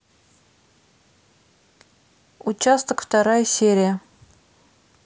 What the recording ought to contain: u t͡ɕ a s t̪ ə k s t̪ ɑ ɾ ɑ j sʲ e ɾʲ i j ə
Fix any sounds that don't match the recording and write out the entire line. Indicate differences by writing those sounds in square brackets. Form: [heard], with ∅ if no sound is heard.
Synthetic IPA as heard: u t͡ɕ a s t̪ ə k [f] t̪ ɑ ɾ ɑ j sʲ e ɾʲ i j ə